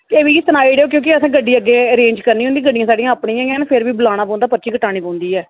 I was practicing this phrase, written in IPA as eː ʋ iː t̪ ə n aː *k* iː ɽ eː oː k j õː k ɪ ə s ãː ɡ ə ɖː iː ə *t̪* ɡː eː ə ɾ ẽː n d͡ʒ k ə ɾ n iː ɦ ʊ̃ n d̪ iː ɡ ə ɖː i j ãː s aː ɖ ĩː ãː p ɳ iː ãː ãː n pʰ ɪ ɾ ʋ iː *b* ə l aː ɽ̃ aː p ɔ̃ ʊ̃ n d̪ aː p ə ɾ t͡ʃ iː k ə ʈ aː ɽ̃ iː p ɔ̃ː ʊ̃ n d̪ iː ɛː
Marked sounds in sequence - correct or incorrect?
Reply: incorrect, incorrect, correct

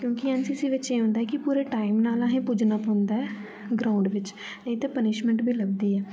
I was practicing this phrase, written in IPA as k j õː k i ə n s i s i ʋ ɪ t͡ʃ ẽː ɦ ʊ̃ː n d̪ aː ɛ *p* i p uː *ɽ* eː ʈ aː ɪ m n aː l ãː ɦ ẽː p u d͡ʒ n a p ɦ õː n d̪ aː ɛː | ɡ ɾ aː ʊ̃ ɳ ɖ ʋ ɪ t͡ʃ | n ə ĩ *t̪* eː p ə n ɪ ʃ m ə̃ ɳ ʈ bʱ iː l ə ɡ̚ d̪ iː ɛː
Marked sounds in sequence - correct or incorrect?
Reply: incorrect, incorrect, correct

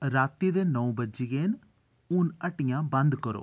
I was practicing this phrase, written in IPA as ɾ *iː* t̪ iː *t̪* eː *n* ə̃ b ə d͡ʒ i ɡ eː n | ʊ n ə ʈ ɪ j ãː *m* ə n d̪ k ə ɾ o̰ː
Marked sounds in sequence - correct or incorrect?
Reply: incorrect, incorrect, correct, incorrect

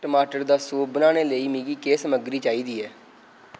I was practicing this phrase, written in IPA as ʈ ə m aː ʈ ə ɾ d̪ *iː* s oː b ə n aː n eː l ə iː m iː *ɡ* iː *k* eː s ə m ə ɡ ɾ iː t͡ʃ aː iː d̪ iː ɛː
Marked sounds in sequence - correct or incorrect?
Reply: incorrect, correct, correct

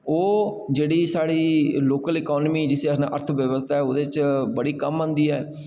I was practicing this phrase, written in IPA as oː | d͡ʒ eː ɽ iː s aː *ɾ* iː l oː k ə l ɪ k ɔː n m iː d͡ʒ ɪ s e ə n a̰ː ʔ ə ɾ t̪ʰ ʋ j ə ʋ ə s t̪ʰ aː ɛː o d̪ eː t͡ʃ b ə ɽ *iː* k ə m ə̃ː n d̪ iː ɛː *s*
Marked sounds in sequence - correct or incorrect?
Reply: incorrect, correct, incorrect

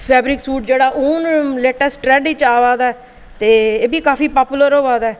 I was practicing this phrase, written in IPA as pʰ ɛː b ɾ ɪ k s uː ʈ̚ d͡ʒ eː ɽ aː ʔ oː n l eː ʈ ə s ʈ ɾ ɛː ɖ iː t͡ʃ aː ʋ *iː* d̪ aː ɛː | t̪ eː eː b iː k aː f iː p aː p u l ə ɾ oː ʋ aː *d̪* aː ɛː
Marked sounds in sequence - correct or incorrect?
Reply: incorrect, correct

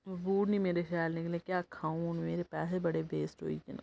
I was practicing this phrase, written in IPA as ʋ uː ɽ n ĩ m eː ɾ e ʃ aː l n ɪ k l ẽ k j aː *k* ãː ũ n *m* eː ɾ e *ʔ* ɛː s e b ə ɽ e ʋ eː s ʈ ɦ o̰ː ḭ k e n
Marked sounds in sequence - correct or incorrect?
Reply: incorrect, correct, incorrect

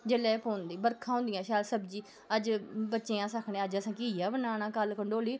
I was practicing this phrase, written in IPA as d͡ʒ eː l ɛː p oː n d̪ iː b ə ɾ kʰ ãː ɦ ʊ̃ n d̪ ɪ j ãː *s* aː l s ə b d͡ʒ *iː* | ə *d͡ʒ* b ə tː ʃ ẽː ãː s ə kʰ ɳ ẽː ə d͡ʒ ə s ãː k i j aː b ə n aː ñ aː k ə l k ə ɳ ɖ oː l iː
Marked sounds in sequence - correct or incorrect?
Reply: incorrect, correct, correct

